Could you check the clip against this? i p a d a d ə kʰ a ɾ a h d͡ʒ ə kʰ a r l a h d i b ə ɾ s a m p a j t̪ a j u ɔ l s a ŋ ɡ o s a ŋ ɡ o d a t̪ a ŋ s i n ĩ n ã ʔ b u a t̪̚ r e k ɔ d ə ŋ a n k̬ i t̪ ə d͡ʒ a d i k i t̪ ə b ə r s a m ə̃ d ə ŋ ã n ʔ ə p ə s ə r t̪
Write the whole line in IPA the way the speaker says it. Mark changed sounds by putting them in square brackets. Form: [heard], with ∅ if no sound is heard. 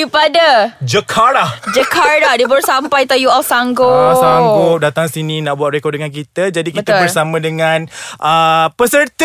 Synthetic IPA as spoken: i p a d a [d͡ʒ] ə kʰ a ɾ a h d͡ʒ ə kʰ a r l a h d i b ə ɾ s a m p a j t̪ a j u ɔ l s a ŋ ɡ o s a ŋ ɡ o d a t̪ a ŋ s i n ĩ n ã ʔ b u a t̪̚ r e k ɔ d ə ŋ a n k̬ i t̪ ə d͡ʒ a d i k i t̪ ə b ə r s a m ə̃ d ə ŋ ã n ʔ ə p ə s ə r t̪